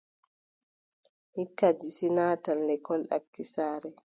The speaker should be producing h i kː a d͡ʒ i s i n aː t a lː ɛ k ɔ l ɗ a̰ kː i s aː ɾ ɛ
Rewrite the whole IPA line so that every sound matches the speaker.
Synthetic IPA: h i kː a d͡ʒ i s i n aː t a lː ɛ k ɔ l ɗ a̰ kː i s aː ɾ ɛ